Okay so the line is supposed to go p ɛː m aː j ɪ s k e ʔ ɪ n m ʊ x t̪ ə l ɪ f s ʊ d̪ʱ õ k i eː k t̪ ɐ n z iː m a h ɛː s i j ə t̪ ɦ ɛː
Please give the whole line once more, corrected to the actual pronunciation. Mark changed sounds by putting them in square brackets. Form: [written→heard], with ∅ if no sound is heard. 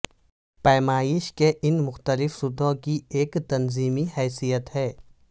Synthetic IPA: p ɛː m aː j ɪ [s→ʃ] k e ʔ ɪ n m ʊ x t̪ ə l ɪ f s ʊ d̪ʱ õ k i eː k t̪ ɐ n z iː m [a→i] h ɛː s i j ə t̪ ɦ ɛː